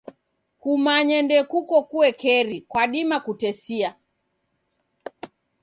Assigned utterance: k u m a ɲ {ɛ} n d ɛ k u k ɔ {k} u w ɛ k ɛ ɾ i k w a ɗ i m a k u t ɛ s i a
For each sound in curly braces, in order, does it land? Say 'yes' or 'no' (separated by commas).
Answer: yes, yes